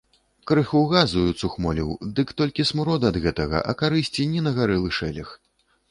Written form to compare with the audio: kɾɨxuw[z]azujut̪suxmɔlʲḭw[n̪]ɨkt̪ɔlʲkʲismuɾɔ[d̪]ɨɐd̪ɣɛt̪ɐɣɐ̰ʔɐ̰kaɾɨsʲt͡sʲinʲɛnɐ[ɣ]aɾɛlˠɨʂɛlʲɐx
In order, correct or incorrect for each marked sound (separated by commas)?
incorrect, incorrect, correct, correct